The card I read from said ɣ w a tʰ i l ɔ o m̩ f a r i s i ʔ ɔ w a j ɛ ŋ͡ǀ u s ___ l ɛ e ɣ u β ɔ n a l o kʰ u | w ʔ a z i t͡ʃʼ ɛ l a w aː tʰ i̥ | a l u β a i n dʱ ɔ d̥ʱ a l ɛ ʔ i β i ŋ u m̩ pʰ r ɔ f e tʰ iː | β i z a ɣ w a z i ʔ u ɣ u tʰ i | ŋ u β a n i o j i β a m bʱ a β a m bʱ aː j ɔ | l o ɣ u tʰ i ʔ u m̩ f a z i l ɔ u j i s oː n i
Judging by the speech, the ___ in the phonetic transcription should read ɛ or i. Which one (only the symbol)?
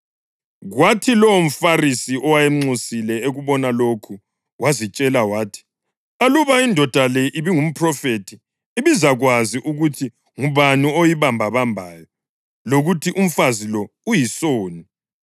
i